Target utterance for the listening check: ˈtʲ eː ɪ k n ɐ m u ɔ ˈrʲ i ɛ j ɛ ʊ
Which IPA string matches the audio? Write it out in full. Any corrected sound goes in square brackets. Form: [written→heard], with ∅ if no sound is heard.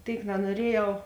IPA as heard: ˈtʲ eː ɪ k n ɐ [m→n] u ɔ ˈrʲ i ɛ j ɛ ʊ